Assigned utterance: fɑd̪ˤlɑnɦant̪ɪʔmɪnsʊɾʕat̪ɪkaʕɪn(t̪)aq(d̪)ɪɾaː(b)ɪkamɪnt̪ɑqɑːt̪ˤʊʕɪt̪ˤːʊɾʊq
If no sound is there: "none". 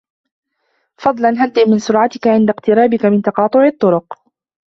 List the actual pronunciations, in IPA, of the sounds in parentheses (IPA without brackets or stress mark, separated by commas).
d̪, t̪, b